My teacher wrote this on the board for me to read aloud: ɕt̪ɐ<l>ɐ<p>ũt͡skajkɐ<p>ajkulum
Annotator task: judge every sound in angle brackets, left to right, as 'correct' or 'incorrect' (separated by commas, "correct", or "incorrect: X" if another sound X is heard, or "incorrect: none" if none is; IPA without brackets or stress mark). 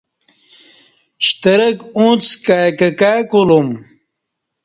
incorrect: ɾ, incorrect: k, incorrect: k